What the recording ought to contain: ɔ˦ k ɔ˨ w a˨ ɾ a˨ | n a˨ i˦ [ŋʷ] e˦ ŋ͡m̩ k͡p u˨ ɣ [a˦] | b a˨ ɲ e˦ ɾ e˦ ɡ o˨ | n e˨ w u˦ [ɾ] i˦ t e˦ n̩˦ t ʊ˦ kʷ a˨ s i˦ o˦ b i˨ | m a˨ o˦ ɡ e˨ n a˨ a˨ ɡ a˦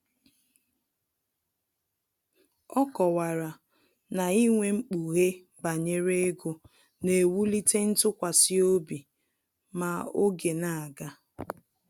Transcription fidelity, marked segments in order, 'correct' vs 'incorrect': correct, incorrect: e˦, incorrect: l

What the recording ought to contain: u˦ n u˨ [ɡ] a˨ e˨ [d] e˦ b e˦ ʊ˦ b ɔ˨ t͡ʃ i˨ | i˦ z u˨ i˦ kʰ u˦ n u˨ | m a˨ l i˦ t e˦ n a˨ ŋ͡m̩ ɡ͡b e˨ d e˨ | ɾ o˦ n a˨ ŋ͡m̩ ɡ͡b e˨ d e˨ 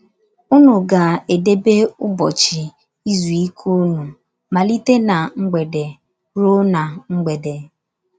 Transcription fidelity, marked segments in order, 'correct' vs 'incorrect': correct, correct

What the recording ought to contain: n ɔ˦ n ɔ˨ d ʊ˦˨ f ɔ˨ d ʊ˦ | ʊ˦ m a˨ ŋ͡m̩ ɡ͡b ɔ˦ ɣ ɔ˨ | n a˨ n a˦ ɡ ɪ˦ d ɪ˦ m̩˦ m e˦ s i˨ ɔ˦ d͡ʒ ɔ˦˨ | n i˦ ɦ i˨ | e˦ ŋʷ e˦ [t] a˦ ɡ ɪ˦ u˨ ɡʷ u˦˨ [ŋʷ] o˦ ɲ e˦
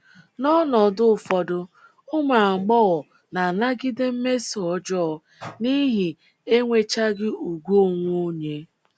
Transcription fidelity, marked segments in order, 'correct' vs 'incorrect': incorrect: t͡ʃ, correct

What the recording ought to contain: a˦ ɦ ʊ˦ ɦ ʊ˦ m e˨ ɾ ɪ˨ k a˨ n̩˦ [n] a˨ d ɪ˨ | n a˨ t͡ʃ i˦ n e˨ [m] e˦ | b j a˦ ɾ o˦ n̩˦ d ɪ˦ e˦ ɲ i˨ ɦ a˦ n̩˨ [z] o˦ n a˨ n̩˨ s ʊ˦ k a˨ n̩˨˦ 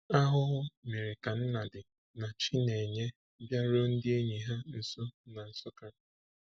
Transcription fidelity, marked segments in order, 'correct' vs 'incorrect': correct, incorrect: ɲ, incorrect: s

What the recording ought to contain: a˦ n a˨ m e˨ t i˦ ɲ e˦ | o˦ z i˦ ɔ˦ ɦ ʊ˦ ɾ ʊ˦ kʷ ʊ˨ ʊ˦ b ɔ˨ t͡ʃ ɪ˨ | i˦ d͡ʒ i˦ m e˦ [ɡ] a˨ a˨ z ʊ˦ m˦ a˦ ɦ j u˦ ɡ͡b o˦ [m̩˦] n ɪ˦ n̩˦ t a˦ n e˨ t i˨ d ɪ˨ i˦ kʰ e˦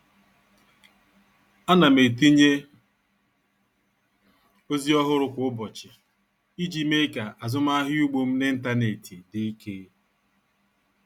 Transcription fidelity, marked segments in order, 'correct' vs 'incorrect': incorrect: k, correct

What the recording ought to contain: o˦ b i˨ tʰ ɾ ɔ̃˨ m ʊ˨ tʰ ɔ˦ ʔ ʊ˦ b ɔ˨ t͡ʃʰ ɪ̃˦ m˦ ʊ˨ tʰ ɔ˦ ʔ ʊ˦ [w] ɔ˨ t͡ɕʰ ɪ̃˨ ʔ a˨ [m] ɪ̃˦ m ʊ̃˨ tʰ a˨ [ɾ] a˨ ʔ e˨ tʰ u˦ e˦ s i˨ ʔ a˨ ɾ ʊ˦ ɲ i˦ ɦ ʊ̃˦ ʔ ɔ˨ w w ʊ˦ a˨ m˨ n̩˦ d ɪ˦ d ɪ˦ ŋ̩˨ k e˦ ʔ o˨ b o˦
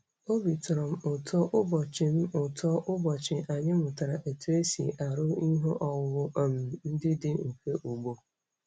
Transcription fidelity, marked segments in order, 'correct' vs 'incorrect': incorrect: b, incorrect: ɲ, correct

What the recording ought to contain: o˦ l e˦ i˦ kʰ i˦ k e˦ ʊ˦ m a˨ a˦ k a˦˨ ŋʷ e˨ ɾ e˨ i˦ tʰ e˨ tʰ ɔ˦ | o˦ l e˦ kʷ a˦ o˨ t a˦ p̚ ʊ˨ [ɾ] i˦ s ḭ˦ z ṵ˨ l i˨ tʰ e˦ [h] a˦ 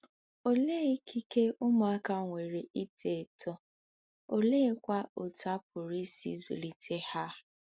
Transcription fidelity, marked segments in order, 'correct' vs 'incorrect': correct, correct

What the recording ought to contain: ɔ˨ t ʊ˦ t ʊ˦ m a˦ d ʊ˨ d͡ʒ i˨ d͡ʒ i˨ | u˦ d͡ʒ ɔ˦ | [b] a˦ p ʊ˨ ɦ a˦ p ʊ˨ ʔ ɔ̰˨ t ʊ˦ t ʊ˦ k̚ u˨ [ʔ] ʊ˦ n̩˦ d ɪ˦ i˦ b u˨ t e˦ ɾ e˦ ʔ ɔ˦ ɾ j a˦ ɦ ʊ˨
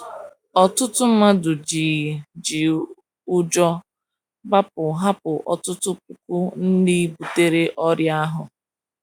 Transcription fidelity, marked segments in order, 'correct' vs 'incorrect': correct, incorrect: k

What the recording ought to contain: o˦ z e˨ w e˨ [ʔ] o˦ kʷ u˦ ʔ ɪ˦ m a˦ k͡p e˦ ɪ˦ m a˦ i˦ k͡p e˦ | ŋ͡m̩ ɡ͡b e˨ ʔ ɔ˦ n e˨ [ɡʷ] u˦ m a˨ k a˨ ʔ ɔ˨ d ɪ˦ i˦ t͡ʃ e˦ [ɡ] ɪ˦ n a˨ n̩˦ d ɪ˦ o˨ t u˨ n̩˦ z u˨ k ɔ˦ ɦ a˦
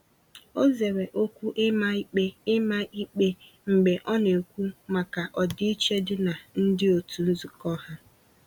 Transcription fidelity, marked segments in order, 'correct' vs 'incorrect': correct, incorrect: kʷ, incorrect: d

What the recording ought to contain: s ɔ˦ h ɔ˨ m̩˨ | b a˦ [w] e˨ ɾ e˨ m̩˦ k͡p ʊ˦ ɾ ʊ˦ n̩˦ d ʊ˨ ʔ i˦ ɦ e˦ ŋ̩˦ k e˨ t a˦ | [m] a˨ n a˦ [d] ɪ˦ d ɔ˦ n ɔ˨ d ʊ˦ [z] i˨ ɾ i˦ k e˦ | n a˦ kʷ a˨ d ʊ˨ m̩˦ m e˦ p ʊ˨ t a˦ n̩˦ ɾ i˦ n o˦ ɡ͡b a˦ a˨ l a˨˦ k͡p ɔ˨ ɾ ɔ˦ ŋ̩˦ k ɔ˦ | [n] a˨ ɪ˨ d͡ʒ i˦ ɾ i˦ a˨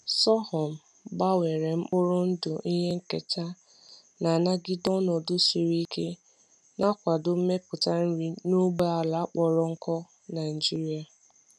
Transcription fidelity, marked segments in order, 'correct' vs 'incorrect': correct, incorrect: n, incorrect: ɡ, incorrect: s, correct

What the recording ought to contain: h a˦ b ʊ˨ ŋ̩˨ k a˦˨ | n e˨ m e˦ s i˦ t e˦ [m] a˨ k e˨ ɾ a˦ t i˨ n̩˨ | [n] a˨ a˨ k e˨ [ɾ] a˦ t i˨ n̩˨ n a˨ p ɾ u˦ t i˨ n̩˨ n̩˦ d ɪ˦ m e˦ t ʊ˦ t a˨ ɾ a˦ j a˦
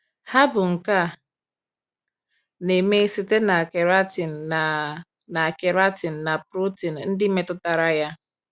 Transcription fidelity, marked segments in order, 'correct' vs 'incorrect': incorrect: n, correct, correct

